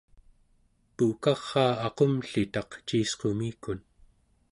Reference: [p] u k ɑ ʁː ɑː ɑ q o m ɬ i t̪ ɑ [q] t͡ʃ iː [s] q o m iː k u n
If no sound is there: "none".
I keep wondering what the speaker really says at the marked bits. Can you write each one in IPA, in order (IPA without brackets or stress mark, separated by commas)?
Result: p, q, s